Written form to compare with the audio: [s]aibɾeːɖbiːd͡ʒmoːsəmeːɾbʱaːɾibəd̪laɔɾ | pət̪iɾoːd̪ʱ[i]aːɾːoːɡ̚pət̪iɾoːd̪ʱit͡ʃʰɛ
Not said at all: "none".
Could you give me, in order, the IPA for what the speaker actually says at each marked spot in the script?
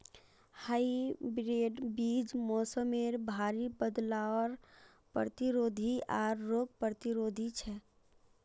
h, i

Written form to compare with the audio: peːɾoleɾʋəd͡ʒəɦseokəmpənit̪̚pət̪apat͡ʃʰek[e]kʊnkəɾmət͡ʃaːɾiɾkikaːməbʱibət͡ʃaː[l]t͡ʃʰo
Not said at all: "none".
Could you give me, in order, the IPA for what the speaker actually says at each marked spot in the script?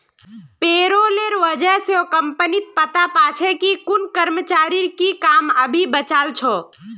i, l

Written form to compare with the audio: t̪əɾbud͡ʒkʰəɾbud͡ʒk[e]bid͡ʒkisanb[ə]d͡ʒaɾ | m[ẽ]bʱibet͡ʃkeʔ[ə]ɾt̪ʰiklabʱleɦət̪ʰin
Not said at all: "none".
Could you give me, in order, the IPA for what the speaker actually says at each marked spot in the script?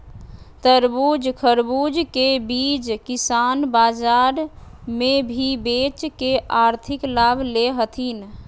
e, a, e, a

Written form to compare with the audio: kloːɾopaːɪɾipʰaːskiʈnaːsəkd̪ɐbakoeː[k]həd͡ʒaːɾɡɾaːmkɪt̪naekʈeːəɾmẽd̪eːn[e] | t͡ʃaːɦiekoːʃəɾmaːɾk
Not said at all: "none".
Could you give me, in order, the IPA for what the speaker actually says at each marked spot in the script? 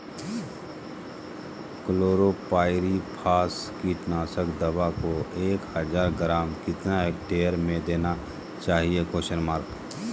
k, a

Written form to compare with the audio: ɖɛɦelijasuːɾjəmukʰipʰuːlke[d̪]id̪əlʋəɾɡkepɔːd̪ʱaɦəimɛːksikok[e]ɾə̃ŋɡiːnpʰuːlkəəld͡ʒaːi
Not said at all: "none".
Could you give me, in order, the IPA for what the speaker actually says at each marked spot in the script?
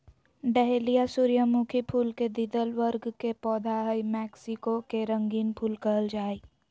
d̪, e

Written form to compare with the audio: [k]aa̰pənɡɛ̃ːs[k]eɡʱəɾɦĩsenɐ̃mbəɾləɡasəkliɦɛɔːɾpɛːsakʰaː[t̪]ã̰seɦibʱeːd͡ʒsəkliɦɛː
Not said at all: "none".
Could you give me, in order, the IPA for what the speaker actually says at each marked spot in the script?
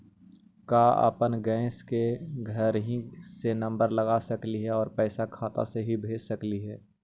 k, k, t̪

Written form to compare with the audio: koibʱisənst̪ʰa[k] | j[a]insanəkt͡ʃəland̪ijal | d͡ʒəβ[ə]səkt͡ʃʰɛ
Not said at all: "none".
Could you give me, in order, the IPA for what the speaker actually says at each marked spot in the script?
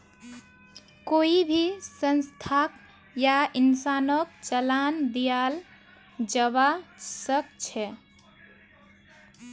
k, a, a

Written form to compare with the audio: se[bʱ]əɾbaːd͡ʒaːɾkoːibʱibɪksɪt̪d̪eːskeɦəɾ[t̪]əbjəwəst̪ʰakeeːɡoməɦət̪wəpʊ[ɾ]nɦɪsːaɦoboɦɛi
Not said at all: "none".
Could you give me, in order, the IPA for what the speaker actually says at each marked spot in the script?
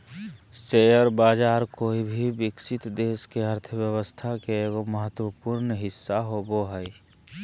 none, t̪ʰ, ɾ

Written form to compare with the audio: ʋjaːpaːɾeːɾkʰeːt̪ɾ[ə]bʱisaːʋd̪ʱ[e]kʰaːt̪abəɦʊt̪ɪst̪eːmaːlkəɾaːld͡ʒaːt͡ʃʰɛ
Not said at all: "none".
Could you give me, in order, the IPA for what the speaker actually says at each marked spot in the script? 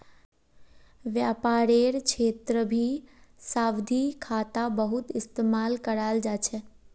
ə, i

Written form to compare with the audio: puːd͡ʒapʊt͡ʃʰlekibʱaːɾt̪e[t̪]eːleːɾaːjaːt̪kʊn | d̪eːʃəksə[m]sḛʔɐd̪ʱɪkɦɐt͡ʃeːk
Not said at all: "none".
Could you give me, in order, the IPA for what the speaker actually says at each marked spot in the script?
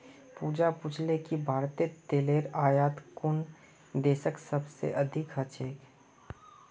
t̪, b

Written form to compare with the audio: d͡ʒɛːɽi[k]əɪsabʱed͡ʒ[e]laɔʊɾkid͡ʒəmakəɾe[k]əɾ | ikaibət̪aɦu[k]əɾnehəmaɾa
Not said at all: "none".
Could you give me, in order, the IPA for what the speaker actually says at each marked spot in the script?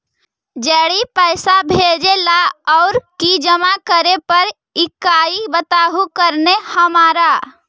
p, e, p, k

